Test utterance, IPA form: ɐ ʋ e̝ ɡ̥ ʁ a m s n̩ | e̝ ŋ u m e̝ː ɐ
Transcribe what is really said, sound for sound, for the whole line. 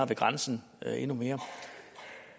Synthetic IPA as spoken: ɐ ʋ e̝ ɡ̥ ʁ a n s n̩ | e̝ n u m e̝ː ɐ